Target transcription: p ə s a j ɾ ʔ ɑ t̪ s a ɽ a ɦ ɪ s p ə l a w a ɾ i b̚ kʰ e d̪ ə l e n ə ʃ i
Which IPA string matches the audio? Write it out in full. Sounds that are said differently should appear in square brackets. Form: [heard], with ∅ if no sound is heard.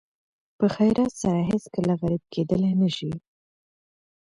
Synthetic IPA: p ə [x] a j ɾ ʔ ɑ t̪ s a [ɾ] a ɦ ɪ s [k] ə l a [ɣ] a ɾ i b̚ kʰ e d̪ ə l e n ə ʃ i